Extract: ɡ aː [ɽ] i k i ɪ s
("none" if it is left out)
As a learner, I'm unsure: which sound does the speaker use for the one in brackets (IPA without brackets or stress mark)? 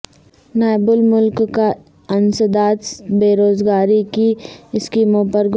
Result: ɾ